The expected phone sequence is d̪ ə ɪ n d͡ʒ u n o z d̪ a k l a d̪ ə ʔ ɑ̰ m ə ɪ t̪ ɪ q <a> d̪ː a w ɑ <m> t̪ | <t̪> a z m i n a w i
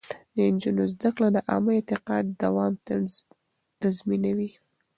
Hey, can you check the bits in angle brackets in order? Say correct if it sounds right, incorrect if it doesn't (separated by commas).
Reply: incorrect, correct, correct